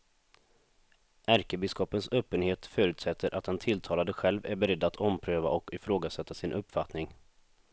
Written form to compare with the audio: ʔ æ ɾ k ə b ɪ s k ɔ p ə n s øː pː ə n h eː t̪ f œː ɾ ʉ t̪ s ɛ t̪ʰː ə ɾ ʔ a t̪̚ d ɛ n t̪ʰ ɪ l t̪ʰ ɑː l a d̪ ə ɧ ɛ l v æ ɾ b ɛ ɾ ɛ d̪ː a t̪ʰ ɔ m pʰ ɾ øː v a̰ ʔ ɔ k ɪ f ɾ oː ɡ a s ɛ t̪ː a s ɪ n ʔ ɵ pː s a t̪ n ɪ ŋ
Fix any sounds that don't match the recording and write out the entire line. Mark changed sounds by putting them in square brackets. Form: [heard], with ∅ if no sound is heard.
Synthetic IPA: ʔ æ ɾ k ə b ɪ s k ɔ p ə n s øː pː ə n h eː t̪ f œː ɾ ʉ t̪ s ɛ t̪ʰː ə ɾ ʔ a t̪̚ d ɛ n t̪ʰ ɪ l t̪ʰ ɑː l a d̪ ə ɧ ɛ l v æ ɾ b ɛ ɾ ɛ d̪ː a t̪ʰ ɔ m pʰ ɾ øː v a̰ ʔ ɔ k ɪ f ɾ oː ɡ a s ɛ t̪ː a s ɪ n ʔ ɵ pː [f] a t̪ n ɪ ŋ